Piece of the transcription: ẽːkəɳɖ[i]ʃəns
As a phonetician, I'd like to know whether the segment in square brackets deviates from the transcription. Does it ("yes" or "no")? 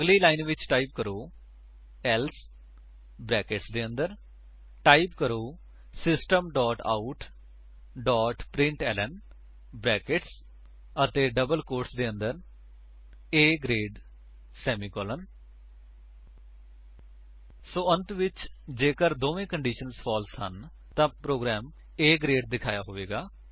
yes